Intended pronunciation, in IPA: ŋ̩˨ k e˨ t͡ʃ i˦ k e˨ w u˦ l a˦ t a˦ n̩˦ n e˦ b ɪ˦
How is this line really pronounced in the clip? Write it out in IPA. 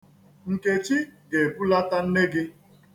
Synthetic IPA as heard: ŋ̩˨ k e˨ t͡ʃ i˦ ɡ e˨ b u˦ l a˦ t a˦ n̩˦ n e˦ ɡ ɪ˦